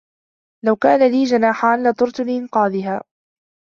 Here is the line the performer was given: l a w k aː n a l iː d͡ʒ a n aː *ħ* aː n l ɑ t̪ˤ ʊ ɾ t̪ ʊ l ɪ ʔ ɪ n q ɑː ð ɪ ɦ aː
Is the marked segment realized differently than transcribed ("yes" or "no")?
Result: no